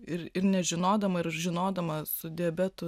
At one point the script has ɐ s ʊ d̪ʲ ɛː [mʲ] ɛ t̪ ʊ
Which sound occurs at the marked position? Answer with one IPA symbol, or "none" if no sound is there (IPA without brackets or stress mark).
bʲ